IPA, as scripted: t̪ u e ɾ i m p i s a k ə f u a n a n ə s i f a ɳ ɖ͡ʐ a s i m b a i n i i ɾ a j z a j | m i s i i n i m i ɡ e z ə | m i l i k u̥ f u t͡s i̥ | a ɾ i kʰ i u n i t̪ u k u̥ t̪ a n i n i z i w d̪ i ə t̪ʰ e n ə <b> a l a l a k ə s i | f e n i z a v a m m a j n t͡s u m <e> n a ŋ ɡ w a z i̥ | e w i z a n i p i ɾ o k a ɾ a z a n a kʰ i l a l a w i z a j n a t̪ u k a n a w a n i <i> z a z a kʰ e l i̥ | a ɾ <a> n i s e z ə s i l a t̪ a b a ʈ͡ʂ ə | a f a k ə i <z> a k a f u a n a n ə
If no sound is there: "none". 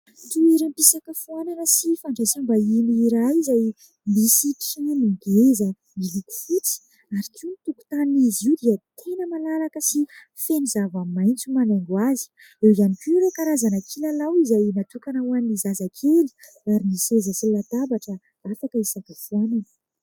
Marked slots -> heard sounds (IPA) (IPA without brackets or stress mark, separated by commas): m, a, i, i, s